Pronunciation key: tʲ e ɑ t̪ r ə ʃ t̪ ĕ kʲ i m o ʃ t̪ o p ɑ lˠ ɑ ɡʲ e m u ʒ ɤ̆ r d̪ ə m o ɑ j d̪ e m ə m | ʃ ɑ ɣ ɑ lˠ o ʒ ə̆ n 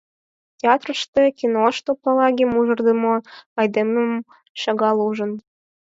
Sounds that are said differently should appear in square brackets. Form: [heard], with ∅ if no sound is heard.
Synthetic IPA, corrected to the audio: tʲ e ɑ t̪ r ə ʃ t̪ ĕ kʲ i [n] o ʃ t̪ o p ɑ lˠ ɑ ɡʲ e m u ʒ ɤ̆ r d̪ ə m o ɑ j d̪ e m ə m | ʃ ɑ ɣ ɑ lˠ [u] ʒ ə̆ n